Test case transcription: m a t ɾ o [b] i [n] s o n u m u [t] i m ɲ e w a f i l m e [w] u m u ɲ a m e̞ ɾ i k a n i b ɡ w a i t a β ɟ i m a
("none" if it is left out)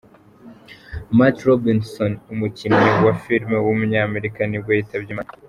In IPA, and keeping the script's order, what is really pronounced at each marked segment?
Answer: b, n, c, w

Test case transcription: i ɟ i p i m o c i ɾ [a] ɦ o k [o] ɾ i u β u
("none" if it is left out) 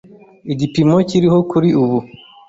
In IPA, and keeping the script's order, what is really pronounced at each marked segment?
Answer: i, u

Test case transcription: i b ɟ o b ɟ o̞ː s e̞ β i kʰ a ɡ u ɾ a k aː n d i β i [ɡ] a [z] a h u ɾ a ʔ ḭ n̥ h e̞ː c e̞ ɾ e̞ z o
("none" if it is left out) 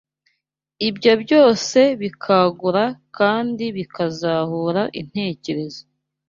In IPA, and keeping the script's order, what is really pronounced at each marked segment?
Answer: k, z

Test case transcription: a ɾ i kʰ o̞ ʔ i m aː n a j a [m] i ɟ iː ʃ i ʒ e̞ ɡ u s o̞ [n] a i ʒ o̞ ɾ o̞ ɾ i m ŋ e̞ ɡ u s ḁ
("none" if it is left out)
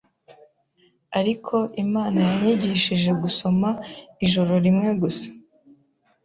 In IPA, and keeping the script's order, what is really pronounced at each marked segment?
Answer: ɲ, m

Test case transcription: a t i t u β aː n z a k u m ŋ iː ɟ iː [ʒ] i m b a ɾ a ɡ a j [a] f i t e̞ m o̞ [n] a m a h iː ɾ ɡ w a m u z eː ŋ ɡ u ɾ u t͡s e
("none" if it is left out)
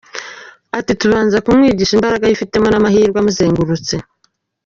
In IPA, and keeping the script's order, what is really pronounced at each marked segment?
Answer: ʃ, i, n

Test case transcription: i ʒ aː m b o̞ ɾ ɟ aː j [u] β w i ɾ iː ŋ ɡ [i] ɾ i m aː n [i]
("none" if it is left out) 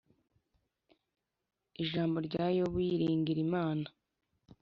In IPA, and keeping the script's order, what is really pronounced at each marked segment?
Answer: o, i, a

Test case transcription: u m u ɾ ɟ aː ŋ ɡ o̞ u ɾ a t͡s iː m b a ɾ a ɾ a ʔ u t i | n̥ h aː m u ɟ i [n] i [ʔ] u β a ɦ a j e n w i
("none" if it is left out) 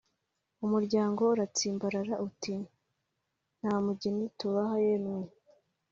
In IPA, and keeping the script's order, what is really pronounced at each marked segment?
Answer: n, t

